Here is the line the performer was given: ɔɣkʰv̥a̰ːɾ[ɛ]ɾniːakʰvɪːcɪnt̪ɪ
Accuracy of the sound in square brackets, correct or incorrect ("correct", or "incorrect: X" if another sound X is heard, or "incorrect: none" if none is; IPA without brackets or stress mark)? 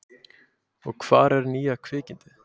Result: correct